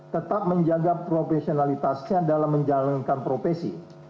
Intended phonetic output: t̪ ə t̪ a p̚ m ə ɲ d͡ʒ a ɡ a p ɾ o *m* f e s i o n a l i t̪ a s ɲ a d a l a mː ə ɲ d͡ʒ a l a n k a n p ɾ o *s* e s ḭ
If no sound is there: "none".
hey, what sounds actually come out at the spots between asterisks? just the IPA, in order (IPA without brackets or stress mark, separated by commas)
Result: none, f